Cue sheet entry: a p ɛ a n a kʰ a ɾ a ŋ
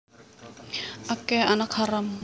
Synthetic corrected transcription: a k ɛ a n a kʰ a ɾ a m